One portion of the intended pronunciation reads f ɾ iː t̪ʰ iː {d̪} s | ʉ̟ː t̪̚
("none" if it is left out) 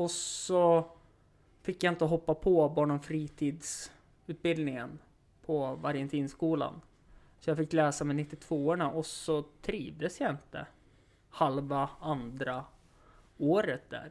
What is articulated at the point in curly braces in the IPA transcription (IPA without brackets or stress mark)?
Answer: d̪